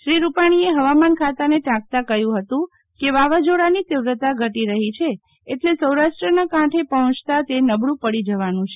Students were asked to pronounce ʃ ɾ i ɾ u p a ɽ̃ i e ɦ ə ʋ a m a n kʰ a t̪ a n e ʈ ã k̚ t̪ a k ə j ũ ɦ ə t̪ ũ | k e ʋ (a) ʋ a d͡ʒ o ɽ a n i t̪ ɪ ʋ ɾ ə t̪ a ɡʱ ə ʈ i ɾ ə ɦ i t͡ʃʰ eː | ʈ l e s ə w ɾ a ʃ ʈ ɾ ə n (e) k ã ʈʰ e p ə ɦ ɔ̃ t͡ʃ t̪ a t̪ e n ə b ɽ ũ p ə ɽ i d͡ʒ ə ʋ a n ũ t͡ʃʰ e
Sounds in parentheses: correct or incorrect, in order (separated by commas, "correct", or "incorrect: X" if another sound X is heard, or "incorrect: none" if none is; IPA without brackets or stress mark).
correct, incorrect: a